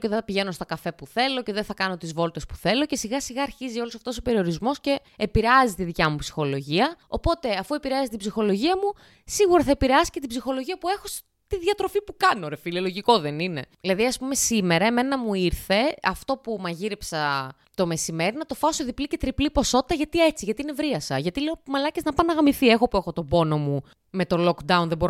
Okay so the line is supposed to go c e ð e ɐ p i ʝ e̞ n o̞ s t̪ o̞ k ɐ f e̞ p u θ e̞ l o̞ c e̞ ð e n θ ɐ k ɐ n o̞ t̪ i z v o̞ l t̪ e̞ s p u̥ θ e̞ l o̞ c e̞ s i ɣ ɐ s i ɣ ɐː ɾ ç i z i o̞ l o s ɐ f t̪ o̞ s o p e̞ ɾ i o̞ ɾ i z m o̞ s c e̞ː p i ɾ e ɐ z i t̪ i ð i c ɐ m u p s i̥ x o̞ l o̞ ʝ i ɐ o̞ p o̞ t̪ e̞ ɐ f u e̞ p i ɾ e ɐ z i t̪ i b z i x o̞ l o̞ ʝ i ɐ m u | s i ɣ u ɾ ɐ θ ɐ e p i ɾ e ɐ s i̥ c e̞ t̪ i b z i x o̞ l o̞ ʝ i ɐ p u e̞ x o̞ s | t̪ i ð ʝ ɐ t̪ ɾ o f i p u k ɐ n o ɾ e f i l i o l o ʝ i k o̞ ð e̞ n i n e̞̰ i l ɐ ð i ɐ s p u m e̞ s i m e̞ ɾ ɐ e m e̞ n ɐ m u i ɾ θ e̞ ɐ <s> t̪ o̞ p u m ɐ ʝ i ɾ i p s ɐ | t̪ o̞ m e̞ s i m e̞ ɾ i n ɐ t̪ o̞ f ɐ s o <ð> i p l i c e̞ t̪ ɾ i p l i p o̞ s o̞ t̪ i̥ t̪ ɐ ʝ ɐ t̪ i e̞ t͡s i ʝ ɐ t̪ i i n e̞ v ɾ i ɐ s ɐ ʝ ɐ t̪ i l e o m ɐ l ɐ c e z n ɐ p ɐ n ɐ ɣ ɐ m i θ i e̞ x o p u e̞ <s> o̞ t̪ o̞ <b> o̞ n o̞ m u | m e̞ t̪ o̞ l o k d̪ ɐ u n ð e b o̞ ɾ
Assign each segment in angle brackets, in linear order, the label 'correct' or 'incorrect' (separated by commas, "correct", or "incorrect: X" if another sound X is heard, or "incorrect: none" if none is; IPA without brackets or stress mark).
incorrect: f, correct, incorrect: x, correct